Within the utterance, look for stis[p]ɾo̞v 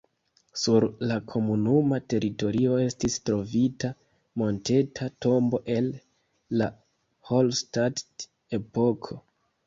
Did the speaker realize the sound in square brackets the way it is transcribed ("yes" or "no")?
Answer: no